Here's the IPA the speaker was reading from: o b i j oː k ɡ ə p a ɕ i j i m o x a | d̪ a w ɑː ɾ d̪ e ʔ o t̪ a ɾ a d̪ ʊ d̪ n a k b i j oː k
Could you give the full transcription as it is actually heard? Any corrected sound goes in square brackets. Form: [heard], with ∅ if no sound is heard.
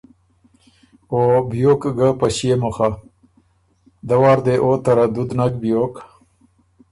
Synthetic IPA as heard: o b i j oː k ɡ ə p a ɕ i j [e] m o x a | d̪ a w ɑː ɾ d̪ e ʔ o t̪ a ɾ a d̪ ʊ d̪ n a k b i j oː k

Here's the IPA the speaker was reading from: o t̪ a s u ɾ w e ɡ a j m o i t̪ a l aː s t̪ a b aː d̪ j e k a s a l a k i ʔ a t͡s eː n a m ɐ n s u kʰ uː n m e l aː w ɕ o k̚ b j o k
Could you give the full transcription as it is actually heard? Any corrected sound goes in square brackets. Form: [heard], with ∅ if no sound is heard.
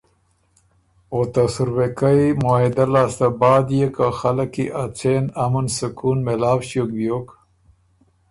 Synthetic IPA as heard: o t̪ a s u ɾ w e [k] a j m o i [d̪] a l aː s t̪ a b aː d̪ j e k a [x] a l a k i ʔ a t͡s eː n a m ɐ n s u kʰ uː n m e l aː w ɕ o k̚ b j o k

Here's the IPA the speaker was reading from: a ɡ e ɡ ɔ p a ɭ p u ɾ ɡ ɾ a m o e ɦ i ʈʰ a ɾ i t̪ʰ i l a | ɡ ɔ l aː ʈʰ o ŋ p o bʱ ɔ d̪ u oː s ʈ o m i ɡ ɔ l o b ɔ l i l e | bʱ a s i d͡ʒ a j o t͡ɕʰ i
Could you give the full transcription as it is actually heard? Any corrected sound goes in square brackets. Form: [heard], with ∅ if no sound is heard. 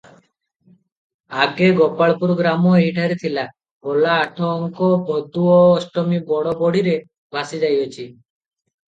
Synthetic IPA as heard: a ɡ e ɡ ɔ p a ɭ p u ɾ ɡ ɾ a m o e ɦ i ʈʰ a ɾ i t̪ʰ i l a | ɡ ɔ l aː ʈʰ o ŋ [k] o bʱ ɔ d̪ u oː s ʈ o m i [b] ɔ [ɽ] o b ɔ [ɽ] i [ɾ] e | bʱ a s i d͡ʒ a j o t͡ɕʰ i

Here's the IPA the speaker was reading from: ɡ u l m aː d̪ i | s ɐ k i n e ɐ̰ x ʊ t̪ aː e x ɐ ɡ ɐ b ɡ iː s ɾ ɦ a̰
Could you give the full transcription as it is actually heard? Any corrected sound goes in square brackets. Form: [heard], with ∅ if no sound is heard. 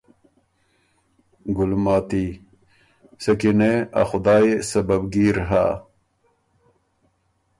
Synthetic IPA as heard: ɡ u l m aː [t̪] i | s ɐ k i n e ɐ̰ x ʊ [d̪] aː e [s] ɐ [b] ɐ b ɡ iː [∅] ɾ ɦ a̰

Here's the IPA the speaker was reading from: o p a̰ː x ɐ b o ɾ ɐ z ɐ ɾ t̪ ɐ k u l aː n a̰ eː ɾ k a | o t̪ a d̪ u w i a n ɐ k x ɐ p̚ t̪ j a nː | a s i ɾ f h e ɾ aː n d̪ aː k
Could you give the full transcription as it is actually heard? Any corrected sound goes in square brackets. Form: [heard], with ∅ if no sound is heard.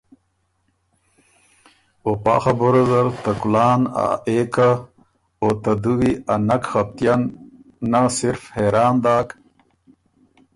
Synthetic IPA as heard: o p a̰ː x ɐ b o ɾ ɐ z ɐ ɾ t̪ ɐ k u l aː n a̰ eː [∅] k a | o t̪ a d̪ u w i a n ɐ k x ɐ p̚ t̪ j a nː | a s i ɾ f h e ɾ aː n d̪ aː k

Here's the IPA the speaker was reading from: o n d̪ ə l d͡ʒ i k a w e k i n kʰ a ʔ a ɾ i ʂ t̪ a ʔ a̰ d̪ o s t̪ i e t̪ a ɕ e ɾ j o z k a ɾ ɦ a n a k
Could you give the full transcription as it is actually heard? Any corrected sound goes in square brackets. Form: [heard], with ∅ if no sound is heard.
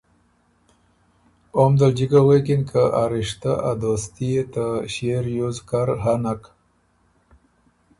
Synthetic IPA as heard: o [m] d̪ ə l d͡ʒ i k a w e k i n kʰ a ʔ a ɾ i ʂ t̪ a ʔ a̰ d̪ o s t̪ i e t̪ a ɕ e ɾ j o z k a ɾ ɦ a n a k

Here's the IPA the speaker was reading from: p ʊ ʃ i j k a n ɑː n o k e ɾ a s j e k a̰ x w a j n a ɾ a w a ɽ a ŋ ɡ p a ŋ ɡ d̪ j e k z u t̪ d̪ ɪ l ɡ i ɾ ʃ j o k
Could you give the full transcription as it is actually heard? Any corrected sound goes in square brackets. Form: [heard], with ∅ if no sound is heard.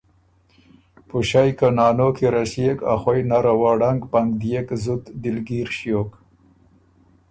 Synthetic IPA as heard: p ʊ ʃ [a] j k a n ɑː n o k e ɾ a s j e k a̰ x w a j n a ɾ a w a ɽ a ŋ ɡ p a ŋ ɡ d̪ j e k z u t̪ d̪ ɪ l ɡ i ɾ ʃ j o k

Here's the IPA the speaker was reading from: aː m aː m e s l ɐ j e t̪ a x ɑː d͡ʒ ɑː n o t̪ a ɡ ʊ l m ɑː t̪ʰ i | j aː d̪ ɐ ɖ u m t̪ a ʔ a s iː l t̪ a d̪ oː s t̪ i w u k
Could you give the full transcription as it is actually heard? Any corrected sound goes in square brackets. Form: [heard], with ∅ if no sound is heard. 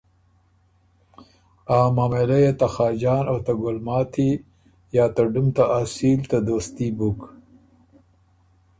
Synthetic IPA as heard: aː m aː m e [∅] l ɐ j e t̪ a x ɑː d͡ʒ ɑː n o t̪ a ɡ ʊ l m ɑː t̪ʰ i | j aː [t̪] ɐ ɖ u m t̪ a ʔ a s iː l t̪ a d̪ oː s t̪ i [b] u k

